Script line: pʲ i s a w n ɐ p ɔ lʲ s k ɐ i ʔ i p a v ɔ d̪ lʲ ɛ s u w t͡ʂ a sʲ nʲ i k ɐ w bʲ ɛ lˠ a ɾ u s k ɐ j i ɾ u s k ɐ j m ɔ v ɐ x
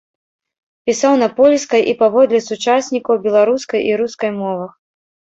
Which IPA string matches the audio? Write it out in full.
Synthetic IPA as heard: pʲ i s a w n ɐ p ɔ lʲ s k ɐ j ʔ i p a v ɔ d̪ lʲ ɛ s u t͡ʂ a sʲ nʲ i k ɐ w bʲ ɛ lˠ a ɾ u s k ɐ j i ɾ u s k ɐ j m ɔ v ɐ x